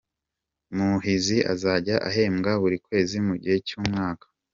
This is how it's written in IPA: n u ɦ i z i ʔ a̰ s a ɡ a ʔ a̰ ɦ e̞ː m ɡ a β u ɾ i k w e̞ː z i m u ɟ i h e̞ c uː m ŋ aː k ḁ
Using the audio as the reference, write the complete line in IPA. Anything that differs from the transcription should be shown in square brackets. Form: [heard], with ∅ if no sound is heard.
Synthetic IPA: [m] u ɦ i z i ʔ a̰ [z] a [ɟ] a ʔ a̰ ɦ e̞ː m ɡ a β u ɾ i k w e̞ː z i m u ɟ i h e̞ c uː m ŋ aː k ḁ

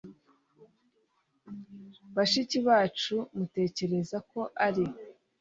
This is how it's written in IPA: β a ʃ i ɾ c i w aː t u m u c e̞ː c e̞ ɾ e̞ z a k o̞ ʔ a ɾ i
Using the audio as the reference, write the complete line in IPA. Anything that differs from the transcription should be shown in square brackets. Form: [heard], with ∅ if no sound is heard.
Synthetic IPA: β a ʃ i [∅] c i [β] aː [t͡ʃ] u m u [t] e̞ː c e̞ ɾ e̞ z a k o̞ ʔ a ɾ i

